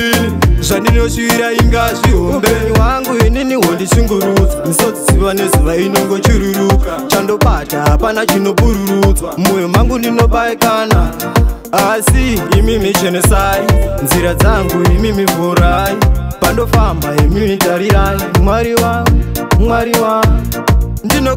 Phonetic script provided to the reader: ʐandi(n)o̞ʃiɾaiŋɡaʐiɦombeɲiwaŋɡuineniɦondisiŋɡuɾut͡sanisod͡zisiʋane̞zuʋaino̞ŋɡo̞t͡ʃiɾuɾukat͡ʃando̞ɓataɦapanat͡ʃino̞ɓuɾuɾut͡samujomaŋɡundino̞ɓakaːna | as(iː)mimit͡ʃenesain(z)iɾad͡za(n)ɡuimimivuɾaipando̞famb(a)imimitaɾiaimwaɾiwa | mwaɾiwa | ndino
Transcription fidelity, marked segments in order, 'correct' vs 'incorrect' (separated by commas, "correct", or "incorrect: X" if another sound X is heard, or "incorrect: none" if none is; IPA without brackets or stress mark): correct, correct, correct, incorrect: ŋ, correct